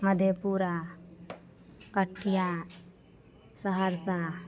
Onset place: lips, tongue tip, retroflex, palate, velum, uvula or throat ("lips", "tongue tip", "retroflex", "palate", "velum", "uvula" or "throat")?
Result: lips